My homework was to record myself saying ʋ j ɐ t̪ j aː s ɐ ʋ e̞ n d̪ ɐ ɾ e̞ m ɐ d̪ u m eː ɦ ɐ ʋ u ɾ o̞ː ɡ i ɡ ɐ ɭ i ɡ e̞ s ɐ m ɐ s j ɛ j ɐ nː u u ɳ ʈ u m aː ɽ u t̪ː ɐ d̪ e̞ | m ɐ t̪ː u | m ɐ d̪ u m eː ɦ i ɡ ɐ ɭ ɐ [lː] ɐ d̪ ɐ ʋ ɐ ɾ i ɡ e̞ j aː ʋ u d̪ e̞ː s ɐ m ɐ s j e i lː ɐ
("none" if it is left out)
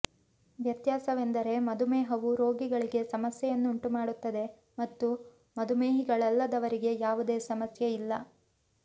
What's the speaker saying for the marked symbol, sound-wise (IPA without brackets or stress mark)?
lː